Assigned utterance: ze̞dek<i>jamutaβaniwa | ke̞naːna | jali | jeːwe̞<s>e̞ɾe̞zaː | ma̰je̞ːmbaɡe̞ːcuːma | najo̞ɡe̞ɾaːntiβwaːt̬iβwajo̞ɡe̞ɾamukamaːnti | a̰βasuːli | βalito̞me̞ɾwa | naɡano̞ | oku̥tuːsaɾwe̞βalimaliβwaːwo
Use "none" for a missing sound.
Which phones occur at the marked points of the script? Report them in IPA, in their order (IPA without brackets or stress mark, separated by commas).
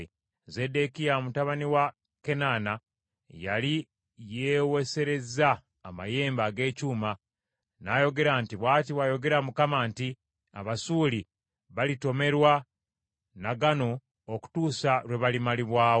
i, s